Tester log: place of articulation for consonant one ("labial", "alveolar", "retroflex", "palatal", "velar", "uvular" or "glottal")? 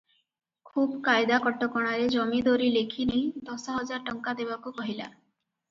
velar